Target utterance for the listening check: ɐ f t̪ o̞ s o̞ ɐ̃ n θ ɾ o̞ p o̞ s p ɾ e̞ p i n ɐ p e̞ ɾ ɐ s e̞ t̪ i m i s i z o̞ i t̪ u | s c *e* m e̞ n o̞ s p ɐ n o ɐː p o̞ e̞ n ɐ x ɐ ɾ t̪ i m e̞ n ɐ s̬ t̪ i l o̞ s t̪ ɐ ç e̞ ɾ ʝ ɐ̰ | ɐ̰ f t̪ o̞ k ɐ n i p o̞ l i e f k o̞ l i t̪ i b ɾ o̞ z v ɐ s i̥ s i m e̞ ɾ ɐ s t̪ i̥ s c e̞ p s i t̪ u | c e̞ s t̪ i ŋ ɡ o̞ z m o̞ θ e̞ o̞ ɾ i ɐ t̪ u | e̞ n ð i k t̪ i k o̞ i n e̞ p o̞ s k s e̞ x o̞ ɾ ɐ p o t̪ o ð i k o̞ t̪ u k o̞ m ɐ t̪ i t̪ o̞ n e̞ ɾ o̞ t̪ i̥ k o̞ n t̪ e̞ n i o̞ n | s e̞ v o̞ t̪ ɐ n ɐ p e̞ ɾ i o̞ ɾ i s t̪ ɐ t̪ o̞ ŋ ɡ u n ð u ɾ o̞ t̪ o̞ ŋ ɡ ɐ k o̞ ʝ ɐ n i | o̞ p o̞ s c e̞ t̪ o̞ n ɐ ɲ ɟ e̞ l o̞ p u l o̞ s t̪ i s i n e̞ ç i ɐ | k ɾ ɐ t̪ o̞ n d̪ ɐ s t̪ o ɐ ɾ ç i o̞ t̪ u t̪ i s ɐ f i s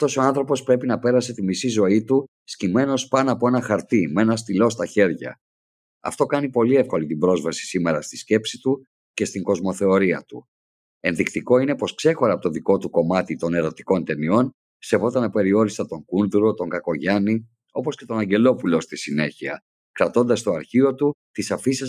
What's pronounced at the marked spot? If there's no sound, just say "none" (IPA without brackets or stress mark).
i